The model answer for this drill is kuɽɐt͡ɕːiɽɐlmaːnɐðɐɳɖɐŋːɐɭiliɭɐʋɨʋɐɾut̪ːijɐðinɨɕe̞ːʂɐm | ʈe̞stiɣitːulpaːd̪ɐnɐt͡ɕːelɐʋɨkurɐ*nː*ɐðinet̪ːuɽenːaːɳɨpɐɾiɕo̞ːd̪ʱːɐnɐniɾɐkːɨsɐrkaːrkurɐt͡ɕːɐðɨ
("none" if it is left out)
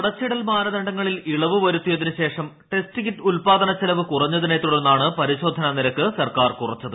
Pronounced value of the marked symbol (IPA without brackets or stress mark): ɲː